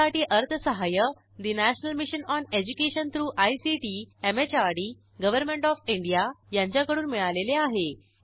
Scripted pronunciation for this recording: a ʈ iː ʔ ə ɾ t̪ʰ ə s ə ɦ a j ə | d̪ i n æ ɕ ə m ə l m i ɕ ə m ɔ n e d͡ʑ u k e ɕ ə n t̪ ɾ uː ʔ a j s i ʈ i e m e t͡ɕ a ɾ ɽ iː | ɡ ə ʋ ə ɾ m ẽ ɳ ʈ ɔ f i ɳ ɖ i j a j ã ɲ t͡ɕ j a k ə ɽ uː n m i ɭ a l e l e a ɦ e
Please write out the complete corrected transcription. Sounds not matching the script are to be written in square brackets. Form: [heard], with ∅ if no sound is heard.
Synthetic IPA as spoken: a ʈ iː ʔ ə ɾ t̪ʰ ə s ə ɦ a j ə | d̪ i n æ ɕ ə [n] ə l m i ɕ ə [n] ɔ n e d͡ʑ u k e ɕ ə n t̪ ɾ uː ʔ a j s i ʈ i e m e t͡ɕ a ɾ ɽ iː | ɡ ə ʋ ə ɾ m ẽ ɳ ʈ ɔ f i ɳ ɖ i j a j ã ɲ t͡ɕ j a k ə ɽ uː n m i ɭ a l e l e a ɦ e